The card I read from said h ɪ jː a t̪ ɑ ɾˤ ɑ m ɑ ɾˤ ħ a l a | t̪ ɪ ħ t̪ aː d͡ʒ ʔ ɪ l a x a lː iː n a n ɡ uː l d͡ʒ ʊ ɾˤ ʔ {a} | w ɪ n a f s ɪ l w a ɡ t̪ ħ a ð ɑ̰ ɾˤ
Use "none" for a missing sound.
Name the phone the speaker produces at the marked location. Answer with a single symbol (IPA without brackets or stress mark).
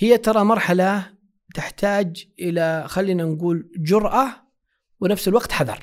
a